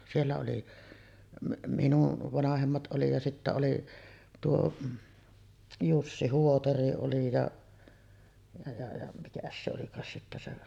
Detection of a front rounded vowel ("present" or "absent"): absent